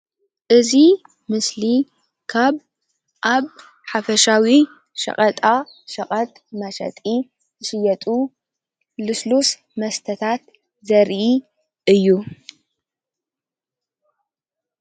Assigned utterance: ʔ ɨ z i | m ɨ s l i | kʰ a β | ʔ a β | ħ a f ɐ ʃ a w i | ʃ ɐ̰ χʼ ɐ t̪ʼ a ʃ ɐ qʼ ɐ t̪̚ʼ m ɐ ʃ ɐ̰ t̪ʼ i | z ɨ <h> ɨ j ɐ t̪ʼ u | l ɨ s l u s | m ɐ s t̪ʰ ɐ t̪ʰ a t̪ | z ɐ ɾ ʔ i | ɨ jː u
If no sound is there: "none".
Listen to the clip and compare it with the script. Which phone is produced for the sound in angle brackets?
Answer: ʃ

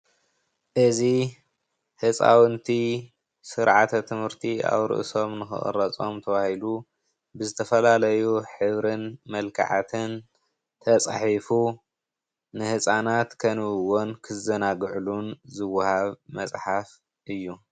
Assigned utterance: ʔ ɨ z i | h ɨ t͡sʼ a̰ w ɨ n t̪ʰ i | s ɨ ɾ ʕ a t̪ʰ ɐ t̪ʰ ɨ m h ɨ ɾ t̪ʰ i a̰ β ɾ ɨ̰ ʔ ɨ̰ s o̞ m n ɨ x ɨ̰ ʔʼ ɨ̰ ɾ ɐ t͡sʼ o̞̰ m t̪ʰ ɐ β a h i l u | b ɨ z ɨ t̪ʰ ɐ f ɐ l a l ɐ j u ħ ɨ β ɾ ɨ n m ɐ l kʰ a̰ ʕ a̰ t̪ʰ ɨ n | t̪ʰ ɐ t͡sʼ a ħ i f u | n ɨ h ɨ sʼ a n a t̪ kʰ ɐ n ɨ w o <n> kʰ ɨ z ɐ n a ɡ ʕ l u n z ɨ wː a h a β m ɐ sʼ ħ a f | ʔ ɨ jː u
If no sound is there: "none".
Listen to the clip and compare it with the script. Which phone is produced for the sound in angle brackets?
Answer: n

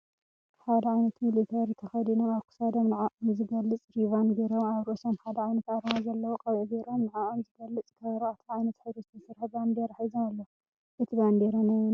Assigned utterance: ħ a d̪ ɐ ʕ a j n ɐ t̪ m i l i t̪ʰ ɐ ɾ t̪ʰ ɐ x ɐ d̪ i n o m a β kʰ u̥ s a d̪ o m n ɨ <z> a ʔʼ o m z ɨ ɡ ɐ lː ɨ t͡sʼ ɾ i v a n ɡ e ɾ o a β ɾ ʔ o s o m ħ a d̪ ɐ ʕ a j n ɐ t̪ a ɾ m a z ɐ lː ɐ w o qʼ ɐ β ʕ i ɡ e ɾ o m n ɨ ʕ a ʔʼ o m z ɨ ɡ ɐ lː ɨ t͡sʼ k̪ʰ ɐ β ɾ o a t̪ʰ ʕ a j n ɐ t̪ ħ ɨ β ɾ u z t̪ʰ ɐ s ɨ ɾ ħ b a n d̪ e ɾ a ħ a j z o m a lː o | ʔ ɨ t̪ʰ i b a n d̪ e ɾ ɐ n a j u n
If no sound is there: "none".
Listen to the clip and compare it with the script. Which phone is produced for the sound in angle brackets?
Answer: ʕ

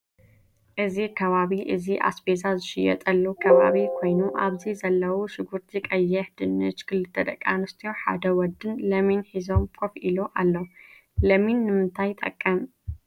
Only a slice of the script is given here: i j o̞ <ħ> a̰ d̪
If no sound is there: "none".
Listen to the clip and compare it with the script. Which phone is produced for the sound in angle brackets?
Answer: ħ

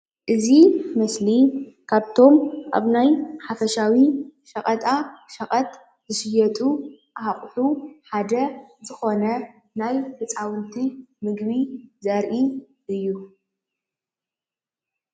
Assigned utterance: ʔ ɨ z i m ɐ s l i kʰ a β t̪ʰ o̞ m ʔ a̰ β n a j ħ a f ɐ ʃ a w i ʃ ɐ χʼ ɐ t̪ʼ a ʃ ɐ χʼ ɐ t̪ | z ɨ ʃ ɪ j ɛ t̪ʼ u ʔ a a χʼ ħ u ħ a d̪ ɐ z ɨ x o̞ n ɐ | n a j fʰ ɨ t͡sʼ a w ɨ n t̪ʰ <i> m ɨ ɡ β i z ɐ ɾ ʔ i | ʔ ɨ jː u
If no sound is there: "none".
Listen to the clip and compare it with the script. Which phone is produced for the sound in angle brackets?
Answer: i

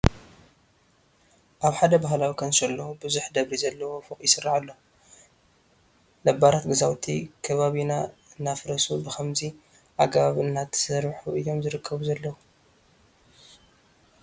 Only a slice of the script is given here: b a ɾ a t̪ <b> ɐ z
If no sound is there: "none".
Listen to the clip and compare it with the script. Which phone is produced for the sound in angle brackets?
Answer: ɡ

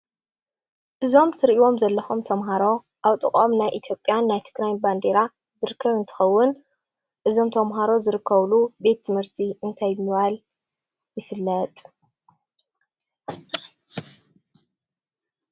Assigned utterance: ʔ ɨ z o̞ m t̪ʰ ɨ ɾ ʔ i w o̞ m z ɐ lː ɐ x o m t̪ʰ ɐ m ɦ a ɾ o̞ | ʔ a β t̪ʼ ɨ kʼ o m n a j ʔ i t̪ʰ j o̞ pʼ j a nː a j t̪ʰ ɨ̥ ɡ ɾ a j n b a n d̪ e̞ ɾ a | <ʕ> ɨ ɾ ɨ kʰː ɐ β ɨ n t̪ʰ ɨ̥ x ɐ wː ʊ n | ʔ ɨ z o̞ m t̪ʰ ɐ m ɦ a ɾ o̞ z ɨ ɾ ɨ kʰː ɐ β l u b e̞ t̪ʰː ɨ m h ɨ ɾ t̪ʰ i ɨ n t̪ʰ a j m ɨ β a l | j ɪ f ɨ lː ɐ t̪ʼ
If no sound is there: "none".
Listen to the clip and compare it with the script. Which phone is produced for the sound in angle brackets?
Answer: z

